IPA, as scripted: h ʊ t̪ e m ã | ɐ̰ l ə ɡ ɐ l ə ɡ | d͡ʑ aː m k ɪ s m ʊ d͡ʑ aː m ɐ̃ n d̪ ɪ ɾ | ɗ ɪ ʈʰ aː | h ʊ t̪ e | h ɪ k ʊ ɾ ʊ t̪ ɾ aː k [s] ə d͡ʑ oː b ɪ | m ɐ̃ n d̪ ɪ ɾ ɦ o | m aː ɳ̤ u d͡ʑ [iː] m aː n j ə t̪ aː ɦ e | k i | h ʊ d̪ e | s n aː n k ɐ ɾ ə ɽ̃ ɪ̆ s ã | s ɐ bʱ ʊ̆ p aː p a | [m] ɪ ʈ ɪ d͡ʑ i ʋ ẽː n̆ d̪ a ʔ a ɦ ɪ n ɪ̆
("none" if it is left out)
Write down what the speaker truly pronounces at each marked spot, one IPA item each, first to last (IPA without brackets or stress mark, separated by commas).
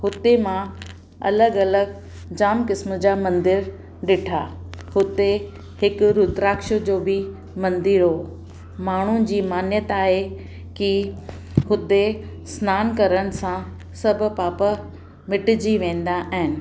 ʃ, iː, m